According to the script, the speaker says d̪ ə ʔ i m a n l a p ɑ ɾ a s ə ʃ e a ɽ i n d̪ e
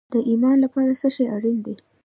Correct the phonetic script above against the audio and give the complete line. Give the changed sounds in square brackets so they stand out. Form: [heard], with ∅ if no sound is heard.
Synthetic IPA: d̪ ə ʔ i m [ɑ] n l a p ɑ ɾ a s ə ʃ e a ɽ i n d̪ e